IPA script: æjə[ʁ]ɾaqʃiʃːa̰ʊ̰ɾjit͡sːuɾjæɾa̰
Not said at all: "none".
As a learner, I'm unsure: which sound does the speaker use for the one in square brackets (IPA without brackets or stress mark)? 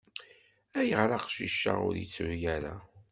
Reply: ʁ